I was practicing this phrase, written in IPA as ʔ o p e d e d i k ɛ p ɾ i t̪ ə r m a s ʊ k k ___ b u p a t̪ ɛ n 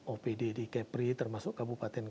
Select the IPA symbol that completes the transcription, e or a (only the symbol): a